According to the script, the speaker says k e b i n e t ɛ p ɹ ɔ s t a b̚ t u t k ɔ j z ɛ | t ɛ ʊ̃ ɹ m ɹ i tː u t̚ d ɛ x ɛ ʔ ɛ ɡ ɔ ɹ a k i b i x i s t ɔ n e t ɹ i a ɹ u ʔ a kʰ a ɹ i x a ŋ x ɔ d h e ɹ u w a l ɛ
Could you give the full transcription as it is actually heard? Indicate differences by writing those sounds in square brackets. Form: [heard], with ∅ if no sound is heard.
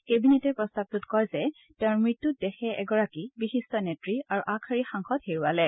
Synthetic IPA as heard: k e b i n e t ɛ p ɹ ɔ s t a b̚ t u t k ɔ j z ɛ | t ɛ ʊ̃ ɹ m ɹ i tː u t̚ d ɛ x ɛ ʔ ɛ ɡ ɔ ɹ a k i b i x i s t ɔ n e t ɹ i a ɹ u ʔ a kʰ a ɹ i x a ŋ x ɔ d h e ɹ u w a l ɛ